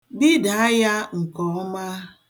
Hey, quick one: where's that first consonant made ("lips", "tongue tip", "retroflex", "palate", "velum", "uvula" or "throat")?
lips